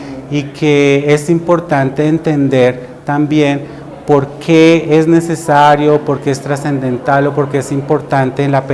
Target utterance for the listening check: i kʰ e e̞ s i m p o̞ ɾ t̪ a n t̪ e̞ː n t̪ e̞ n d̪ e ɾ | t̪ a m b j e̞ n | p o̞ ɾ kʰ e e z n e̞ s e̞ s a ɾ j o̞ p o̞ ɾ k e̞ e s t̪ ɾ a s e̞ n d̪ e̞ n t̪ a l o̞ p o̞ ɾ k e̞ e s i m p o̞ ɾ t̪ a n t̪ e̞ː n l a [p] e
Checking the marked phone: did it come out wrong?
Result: no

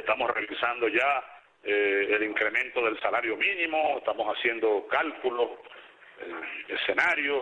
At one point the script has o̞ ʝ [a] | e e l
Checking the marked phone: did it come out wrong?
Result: no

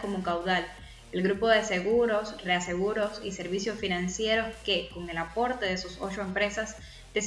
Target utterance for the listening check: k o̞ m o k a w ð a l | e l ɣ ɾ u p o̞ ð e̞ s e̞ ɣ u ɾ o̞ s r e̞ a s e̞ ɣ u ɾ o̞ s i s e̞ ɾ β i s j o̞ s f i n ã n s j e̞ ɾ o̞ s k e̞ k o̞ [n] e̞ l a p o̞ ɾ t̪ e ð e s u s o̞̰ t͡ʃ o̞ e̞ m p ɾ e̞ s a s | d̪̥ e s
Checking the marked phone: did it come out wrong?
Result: yes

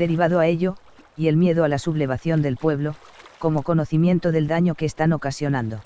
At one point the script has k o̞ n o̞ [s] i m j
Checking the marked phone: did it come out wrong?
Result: yes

